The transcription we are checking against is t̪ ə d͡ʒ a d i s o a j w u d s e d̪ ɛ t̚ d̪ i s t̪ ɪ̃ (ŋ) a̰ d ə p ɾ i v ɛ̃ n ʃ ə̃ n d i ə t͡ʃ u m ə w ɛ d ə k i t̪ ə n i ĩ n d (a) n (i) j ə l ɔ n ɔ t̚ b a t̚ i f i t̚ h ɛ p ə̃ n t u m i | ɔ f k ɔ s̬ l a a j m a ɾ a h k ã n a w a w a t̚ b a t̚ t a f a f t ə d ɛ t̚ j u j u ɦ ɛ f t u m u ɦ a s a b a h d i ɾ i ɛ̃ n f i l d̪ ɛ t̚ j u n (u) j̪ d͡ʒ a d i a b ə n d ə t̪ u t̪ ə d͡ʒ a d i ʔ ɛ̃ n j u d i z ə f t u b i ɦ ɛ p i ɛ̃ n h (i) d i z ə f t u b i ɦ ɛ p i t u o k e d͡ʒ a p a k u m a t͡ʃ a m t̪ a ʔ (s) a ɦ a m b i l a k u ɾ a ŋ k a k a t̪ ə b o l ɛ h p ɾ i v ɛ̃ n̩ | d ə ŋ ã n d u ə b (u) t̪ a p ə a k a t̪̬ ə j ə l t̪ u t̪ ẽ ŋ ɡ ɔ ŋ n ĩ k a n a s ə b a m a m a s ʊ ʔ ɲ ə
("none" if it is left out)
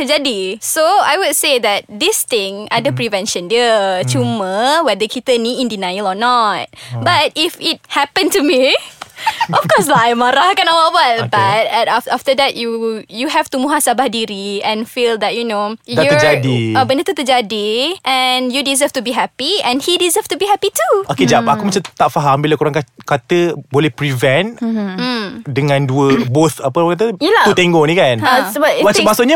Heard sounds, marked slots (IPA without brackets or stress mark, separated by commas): ŋ, i, a, o, i, f, o